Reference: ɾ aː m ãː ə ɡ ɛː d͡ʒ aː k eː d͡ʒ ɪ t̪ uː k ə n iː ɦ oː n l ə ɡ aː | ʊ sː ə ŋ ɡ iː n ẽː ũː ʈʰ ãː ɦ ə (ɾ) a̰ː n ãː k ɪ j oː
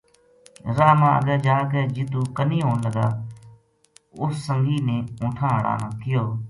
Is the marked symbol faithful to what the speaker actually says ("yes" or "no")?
no